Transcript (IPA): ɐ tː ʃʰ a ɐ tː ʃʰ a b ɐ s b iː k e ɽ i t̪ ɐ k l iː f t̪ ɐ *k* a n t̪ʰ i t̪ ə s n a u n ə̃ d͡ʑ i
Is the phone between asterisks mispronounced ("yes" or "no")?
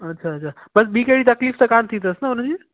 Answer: no